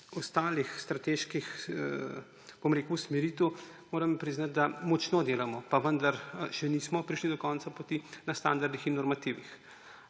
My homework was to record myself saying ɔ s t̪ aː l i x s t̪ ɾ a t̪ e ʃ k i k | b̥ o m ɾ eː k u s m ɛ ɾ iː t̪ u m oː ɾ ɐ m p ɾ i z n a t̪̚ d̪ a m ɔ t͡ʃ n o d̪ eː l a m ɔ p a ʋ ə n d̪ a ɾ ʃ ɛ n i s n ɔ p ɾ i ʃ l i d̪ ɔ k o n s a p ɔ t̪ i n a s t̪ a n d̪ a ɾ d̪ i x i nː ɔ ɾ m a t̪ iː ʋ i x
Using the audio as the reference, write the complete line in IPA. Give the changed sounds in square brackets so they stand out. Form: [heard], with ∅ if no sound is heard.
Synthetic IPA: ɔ s t̪ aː l i x s t̪ ɾ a t̪ e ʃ k i [x] | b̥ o m ɾ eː k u s m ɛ ɾ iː t̪ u m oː ɾ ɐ m p ɾ i z n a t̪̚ d̪ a m ɔ t͡ʃ n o d̪ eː l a m ɔ p a ʋ ə n d̪ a ɾ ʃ ɛ n i s [m] ɔ p ɾ i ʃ l i d̪ ɔ k [ɔ] n s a p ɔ t̪ i n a s t̪ a n d̪ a ɾ d̪ i x i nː ɔ ɾ m a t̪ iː ʋ i x